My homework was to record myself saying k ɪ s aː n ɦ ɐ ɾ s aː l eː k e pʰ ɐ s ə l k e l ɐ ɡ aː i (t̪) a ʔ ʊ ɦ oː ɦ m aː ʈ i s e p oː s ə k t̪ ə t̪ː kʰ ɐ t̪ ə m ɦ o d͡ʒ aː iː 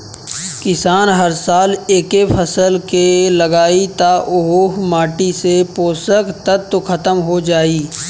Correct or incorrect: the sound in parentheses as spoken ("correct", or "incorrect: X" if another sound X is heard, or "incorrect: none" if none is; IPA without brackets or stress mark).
correct